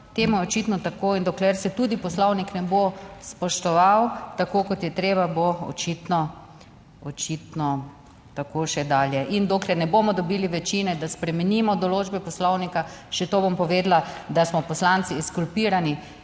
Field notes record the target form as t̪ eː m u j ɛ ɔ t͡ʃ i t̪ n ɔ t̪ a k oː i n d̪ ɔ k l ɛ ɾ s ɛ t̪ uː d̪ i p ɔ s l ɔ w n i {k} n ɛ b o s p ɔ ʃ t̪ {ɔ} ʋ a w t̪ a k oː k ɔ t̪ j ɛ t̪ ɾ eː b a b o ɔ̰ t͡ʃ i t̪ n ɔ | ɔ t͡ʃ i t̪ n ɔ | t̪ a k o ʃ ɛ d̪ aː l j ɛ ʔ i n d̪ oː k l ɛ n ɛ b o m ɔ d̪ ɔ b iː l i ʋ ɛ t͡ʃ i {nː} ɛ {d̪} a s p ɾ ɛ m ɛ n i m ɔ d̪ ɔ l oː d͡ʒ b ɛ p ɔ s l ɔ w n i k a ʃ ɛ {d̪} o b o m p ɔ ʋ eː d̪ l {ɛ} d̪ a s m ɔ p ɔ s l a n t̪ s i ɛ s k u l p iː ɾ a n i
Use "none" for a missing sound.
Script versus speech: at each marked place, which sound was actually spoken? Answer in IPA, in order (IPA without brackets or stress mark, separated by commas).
k, ɔ, n, d̪, t̪, a